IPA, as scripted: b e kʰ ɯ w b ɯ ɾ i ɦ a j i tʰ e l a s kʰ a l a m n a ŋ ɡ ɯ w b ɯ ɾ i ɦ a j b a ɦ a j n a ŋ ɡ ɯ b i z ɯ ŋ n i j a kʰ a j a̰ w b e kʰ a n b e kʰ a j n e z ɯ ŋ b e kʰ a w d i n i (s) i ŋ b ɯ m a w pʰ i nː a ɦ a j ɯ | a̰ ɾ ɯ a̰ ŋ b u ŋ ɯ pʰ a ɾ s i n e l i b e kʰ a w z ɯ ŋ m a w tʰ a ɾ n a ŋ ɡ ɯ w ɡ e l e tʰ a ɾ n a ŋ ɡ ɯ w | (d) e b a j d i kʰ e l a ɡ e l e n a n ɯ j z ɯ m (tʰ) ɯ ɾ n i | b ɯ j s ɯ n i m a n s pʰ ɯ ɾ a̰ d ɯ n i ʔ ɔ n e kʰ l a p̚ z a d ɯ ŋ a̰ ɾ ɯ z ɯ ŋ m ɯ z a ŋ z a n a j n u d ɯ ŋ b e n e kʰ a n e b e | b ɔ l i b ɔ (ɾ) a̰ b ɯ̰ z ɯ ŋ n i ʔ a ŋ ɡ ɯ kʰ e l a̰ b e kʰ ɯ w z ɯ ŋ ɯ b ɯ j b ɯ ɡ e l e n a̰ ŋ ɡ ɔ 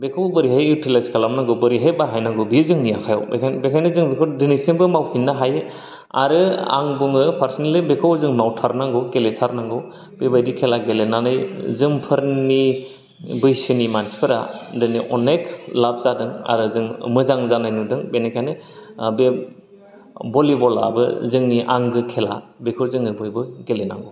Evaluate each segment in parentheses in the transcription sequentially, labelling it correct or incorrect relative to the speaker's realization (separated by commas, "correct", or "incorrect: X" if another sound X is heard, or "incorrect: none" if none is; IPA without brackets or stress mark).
correct, incorrect: b, incorrect: pʰ, incorrect: l